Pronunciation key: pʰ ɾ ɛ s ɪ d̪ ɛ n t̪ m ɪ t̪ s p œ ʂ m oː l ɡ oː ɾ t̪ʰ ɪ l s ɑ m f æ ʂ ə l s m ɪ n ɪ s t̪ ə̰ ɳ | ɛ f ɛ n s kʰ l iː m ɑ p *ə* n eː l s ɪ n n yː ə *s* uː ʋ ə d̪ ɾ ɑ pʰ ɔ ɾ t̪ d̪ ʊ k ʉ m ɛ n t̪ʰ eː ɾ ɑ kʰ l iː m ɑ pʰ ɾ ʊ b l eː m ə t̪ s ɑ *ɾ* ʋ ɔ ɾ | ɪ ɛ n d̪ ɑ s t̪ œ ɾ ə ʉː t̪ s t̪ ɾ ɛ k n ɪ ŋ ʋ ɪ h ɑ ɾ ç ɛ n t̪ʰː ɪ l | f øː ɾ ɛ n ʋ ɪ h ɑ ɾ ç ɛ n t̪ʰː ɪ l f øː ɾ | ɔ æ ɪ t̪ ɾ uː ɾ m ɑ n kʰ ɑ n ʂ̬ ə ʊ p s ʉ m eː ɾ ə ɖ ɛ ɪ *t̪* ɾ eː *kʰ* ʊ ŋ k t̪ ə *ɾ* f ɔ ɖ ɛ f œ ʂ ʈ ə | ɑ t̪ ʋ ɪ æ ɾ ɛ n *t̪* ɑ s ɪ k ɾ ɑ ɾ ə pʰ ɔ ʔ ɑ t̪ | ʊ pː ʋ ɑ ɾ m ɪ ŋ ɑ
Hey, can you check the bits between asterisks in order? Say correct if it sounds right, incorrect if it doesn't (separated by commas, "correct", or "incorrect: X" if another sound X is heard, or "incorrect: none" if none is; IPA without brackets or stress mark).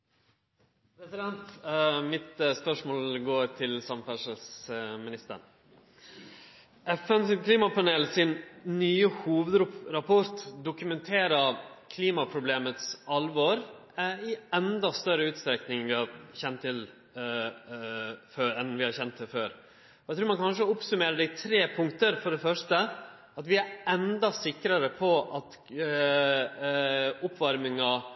incorrect: ɑ, incorrect: h, incorrect: l, incorrect: t̪ʰ, incorrect: pʰ, correct, incorrect: d̪